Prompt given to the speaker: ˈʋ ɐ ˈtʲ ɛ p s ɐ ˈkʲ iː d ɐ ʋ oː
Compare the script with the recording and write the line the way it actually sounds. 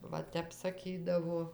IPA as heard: ˈʋ ɐ ˈtʲ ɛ p s ɐ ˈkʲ iː d ɐ ʋ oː